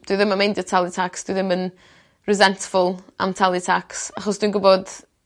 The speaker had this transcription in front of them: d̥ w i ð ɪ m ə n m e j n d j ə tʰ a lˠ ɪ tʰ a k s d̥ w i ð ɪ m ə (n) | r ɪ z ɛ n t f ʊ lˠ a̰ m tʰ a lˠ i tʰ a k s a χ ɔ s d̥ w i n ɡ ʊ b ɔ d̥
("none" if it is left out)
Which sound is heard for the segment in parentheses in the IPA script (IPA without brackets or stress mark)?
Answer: n